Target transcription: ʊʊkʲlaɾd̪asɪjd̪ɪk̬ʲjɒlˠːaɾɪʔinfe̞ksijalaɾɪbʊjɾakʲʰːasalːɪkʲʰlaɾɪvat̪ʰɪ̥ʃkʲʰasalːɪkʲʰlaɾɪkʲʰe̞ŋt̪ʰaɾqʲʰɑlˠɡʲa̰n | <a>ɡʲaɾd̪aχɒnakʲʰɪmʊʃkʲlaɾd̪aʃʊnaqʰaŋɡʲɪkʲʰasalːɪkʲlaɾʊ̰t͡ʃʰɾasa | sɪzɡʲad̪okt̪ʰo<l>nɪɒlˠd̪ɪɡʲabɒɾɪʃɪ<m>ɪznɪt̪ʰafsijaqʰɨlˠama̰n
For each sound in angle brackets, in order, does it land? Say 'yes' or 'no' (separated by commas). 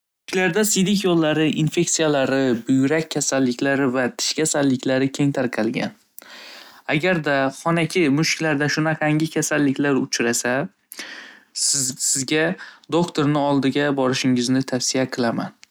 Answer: yes, no, no